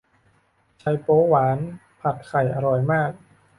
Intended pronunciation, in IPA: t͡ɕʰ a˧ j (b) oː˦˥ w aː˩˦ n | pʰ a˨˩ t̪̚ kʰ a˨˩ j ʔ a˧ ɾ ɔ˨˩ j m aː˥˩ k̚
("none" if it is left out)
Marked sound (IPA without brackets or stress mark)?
p